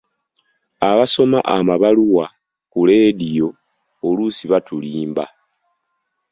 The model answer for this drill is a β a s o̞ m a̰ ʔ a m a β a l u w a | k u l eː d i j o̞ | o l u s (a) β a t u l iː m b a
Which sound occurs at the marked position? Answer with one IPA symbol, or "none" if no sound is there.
i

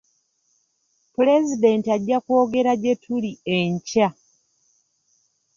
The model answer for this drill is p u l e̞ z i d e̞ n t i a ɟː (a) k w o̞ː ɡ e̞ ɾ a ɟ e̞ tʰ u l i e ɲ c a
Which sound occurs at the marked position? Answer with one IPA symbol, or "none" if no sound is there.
a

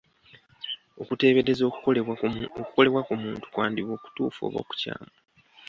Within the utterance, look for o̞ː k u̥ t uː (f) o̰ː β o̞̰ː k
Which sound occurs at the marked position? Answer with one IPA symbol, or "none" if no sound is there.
f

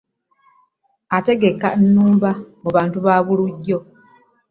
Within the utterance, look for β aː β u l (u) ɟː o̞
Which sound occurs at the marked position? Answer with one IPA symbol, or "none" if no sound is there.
u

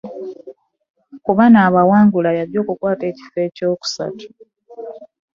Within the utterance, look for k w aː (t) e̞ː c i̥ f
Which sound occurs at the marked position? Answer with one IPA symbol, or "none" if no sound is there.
t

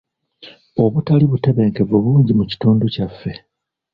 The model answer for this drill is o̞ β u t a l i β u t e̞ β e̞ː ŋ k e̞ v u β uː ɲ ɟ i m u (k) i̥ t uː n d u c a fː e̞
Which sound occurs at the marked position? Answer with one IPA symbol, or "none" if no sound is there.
c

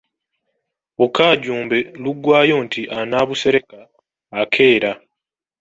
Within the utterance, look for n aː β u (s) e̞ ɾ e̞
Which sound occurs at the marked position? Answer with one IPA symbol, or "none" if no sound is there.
s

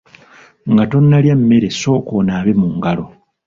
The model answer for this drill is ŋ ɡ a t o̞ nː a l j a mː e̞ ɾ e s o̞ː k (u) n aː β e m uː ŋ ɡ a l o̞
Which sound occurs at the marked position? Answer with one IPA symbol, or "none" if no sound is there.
o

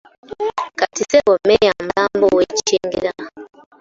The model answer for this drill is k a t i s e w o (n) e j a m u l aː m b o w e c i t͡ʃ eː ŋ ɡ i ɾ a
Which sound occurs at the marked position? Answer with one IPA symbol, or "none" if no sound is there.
m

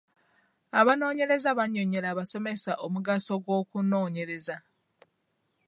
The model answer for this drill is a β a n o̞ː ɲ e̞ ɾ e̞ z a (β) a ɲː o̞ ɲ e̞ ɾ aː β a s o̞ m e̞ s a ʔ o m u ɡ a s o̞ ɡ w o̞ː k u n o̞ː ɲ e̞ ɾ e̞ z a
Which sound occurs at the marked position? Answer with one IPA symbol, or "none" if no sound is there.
β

